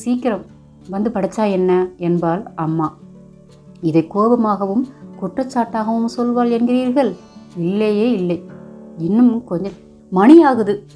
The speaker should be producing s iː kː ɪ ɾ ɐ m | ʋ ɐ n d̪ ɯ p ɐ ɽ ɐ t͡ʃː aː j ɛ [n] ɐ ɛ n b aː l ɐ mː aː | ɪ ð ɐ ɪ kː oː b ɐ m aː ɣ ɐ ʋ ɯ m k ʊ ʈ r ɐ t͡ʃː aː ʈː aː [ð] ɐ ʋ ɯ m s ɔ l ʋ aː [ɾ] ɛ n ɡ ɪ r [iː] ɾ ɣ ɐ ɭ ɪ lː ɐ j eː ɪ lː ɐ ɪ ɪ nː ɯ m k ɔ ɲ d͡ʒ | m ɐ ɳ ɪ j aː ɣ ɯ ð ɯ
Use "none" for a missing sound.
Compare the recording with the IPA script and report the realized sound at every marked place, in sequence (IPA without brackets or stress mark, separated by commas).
nː, ɣ, l, iː